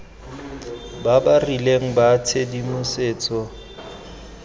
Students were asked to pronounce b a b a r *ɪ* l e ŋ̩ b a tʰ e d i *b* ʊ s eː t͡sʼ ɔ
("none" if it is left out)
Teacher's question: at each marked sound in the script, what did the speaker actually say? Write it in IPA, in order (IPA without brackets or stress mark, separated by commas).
i, m